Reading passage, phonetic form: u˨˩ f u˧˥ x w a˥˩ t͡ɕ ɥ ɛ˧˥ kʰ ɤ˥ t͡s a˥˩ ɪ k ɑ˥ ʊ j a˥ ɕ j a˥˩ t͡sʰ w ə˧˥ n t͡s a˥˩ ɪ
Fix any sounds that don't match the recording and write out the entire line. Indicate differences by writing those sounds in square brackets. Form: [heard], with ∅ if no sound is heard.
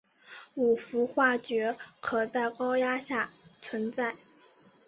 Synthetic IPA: u˨˩ f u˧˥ x w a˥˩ t͡ɕ ɥ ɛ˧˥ kʰ [ɤ˨˩] t͡s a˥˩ ɪ k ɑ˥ ʊ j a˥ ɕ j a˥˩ t͡sʰ w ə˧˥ n t͡s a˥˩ ɪ